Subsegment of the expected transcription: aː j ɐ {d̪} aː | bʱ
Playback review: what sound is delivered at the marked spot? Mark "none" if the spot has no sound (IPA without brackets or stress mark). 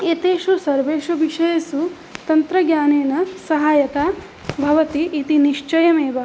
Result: t̪